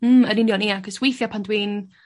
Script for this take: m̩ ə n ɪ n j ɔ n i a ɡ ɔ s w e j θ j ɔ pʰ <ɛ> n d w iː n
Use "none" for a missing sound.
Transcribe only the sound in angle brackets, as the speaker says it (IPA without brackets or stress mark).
a